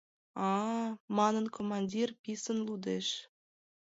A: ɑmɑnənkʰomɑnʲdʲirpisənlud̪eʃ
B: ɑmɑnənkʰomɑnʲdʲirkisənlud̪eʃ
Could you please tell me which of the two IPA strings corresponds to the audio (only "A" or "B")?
A